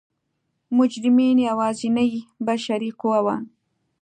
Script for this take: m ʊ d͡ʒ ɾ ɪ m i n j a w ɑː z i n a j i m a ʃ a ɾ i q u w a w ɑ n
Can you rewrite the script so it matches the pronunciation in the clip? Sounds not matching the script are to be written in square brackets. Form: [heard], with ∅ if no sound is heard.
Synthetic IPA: m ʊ d͡ʒ ɾ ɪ m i n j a w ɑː z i n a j i [b] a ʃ a ɾ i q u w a w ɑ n